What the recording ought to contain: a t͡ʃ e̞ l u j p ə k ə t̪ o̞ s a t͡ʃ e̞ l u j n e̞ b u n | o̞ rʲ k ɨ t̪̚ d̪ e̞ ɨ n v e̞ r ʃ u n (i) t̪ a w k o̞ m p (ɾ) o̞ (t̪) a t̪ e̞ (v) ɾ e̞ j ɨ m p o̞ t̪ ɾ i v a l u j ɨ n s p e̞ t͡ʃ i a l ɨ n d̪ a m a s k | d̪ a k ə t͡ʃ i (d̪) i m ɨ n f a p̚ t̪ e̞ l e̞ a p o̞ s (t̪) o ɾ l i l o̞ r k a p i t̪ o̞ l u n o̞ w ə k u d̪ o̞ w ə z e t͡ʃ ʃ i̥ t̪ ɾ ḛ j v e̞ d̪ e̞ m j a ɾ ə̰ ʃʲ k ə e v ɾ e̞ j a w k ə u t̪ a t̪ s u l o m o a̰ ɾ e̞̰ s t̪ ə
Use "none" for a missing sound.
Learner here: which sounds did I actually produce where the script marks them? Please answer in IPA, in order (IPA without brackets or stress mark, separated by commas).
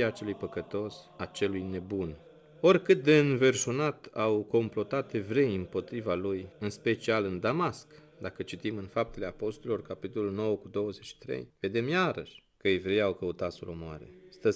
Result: a, l, t̪, v, t̪, t̪